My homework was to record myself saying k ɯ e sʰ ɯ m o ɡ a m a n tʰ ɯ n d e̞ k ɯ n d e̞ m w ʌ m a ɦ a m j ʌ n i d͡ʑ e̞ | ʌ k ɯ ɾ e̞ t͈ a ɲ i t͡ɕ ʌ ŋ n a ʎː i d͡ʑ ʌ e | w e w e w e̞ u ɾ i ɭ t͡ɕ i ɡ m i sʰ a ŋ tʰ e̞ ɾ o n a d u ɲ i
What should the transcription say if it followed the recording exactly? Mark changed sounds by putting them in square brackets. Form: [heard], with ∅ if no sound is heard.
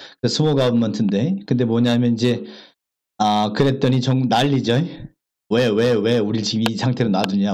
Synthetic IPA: k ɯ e sʰ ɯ m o ɡ a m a n tʰ ɯ n d e̞ k ɯ n d e̞ m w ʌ [ɲ] a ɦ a m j ʌ n i d͡ʑ e̞ | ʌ k ɯ ɾ e̞ t͈ [ʌ] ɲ i t͡ɕ ʌ ŋ n a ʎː i d͡ʑ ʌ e | w e w e w e̞ u ɾ i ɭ t͡ɕ i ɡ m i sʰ a ŋ tʰ e̞ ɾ o n a d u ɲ [a]